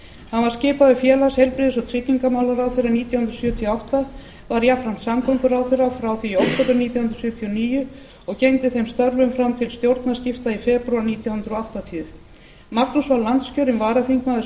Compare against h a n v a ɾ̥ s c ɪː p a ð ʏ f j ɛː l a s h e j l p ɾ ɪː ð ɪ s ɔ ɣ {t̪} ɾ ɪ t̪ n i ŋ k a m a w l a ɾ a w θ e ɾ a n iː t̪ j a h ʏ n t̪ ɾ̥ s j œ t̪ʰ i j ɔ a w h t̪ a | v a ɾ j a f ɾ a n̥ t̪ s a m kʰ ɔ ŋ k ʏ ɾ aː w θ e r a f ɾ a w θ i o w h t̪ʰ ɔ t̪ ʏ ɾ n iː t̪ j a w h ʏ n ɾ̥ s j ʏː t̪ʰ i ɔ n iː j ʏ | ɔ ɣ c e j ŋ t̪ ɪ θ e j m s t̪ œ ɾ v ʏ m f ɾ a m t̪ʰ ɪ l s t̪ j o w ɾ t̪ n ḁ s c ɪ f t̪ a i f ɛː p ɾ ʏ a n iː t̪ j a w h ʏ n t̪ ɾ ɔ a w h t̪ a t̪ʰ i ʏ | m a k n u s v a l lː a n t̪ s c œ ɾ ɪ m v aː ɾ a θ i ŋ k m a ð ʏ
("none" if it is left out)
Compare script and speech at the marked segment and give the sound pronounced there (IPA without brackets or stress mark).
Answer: t̪ʰ